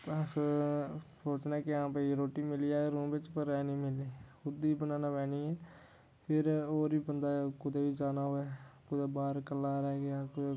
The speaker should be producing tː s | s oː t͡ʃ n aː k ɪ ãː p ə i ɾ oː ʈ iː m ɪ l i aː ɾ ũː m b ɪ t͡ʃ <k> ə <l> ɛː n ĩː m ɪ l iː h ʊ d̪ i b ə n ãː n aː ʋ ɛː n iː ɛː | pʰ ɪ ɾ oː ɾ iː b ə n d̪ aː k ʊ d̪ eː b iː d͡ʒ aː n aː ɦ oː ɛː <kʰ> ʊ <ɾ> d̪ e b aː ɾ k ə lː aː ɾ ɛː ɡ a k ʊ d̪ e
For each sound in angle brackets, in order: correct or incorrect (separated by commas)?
incorrect, incorrect, incorrect, incorrect